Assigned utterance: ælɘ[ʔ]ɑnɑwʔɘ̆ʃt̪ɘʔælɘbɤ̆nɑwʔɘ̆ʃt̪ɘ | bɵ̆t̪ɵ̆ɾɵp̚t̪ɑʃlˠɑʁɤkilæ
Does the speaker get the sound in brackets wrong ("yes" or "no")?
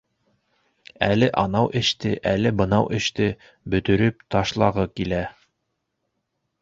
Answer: no